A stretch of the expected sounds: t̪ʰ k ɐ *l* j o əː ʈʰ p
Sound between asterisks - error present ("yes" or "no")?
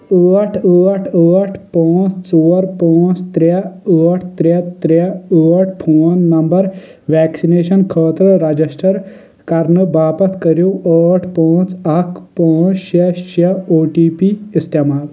yes